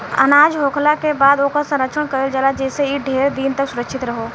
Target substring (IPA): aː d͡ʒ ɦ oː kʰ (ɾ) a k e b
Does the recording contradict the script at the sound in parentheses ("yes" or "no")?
yes